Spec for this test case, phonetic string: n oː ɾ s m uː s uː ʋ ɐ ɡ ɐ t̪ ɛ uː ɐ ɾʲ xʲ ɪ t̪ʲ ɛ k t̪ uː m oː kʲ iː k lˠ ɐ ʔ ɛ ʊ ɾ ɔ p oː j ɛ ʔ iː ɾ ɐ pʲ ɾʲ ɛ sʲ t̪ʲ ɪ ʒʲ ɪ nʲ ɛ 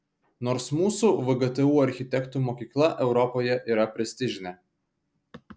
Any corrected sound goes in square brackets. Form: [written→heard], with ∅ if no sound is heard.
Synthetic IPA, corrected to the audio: n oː ɾ s m uː s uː ʋ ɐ ɡ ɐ t̪ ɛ uː ɐ ɾʲ xʲ ɪ t̪ʲ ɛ k t̪ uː m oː kʲ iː k lˠ ɐ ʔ ɛ ʊ ɾ ɔ p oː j ɛ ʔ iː ɾ ɐ pʲ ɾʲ ɛ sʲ t̪ʲ ɪ ʒʲ ɪ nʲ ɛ